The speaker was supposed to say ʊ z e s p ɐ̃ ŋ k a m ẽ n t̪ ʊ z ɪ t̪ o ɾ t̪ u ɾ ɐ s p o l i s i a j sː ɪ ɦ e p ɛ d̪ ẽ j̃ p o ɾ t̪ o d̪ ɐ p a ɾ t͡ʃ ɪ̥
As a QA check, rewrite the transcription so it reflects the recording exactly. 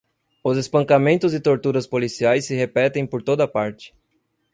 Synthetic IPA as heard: ʊ z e s p ɐ̃ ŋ k a m ẽ n t̪ ʊ z ɪ t̪ o ɾ t̪ u ɾ ɐ s p o l i s i a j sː ɪ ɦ e p ɛ t̪ ẽ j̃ p o ɾ t̪ o d̪ ɐ p a ɾ t͡ʃ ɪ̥